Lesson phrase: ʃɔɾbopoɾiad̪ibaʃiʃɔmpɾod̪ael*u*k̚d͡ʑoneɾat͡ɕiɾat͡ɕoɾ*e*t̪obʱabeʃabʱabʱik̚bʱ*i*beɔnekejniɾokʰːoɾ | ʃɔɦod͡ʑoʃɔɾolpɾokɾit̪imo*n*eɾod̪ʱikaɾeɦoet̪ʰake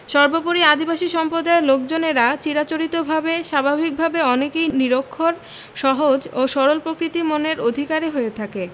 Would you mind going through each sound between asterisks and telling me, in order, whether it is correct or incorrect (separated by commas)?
incorrect, incorrect, incorrect, correct